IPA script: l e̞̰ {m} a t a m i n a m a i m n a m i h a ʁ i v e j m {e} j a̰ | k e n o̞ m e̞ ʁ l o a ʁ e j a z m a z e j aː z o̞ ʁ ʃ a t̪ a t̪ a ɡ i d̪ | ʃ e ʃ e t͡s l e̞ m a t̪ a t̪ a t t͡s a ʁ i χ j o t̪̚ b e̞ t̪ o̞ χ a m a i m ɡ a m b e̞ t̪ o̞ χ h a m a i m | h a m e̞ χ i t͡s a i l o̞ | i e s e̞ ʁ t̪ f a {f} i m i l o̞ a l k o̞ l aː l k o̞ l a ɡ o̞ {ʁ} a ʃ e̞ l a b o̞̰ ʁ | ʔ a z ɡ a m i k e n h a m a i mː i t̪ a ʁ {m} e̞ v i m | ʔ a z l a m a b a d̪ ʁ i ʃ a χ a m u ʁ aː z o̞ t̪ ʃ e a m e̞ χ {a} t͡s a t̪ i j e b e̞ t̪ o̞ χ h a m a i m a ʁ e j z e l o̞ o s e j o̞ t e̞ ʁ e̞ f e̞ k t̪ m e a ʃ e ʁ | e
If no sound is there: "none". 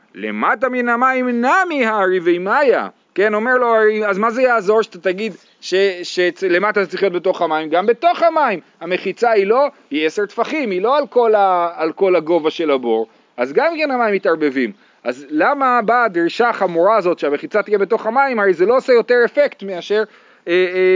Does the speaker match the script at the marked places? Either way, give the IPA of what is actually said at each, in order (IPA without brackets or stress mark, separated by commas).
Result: m, a, χ, v, b, i